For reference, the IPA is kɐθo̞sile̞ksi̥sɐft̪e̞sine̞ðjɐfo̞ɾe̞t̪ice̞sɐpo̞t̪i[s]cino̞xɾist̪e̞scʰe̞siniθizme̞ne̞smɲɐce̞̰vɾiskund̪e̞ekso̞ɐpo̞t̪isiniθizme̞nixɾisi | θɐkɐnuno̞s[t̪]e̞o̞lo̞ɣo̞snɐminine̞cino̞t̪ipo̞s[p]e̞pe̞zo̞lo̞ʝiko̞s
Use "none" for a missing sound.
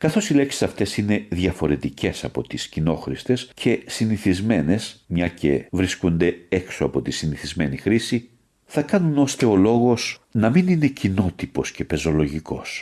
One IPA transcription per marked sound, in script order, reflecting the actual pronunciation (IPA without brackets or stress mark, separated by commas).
s, t̪, c